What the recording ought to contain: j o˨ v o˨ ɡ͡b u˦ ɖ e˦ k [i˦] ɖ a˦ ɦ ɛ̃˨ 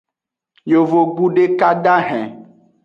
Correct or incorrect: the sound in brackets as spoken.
incorrect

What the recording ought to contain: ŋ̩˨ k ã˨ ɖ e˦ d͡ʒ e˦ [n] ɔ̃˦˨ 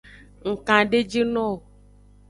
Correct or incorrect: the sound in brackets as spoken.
correct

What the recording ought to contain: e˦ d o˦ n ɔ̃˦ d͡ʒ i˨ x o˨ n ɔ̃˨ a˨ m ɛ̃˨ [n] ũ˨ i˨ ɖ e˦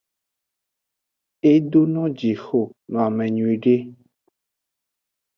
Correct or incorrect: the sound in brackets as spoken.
incorrect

